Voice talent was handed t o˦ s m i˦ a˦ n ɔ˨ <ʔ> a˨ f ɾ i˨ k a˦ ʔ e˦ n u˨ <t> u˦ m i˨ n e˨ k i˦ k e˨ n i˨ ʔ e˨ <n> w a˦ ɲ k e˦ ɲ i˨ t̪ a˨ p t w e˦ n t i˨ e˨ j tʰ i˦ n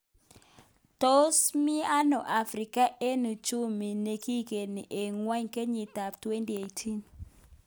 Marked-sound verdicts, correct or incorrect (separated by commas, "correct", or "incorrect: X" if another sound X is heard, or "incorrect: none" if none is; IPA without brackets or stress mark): correct, incorrect: t͡ʃ, incorrect: ŋ